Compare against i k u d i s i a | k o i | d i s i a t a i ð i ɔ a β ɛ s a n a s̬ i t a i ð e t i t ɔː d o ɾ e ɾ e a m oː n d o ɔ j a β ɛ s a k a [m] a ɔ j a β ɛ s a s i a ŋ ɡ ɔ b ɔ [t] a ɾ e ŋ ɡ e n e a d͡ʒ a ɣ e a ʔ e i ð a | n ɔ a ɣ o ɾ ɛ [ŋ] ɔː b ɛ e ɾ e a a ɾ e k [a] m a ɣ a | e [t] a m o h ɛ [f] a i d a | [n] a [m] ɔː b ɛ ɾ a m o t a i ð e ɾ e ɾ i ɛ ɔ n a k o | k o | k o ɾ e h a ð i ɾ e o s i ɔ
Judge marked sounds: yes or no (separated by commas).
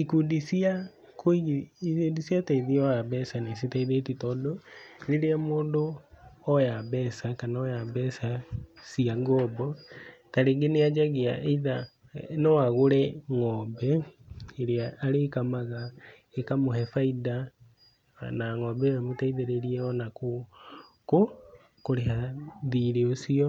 no, yes, yes, yes, no, yes, yes, no